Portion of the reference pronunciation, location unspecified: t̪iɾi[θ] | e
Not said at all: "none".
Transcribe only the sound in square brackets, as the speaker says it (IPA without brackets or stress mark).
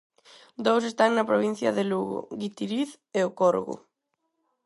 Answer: θ